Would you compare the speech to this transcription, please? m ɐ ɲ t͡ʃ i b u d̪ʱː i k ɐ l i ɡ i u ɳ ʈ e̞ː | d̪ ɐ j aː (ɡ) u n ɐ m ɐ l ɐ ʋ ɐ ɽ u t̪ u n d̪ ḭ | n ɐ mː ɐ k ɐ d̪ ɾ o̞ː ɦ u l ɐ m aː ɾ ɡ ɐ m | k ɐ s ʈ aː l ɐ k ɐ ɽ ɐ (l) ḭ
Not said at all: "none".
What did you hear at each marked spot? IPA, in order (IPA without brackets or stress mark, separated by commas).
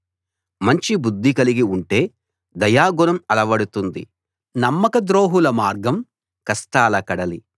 ɡ, l